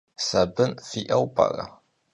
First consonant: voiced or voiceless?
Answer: voiceless